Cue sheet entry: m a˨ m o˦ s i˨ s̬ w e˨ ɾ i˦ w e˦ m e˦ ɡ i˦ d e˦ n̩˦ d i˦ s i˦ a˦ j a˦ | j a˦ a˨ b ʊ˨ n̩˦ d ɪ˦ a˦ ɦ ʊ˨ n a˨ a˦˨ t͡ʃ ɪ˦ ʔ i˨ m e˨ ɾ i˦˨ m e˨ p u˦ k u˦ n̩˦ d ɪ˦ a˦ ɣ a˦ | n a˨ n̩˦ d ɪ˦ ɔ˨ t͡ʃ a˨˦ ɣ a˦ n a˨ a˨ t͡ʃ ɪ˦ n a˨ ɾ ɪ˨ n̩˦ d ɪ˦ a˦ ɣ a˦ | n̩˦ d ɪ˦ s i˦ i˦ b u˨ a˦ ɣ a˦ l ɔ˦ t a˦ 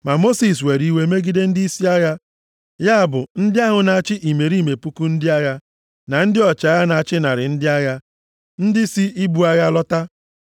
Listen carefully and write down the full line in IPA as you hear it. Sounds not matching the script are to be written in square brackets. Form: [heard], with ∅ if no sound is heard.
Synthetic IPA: m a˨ m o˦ s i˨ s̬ w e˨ ɾ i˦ w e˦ m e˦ ɡ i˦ d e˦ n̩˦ d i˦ s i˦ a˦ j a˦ | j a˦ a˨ b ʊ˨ n̩˦ d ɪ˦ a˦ ɦ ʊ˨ n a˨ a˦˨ t͡ʃ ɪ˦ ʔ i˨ m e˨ ɾ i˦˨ m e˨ p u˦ k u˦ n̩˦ d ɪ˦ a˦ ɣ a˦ | n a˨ n̩˦ d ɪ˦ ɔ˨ t͡ʃ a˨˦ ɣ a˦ n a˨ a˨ t͡ʃ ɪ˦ n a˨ ɾ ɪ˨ n̩˦ d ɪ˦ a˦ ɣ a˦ | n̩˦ d ɪ˦ s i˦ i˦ b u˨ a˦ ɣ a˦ l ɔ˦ t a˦